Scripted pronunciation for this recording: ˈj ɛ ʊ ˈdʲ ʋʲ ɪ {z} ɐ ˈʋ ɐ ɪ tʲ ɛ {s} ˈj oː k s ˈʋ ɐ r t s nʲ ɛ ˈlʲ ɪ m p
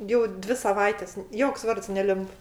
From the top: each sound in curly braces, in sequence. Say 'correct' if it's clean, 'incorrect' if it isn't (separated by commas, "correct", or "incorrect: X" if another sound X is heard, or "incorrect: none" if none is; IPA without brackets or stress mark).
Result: incorrect: s, correct